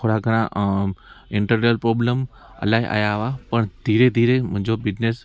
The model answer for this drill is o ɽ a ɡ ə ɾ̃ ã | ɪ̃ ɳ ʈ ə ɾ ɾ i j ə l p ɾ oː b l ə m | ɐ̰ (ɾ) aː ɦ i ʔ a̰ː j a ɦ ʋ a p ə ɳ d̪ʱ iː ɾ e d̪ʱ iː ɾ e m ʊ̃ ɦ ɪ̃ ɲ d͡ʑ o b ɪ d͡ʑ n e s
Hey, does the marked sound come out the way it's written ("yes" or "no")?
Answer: no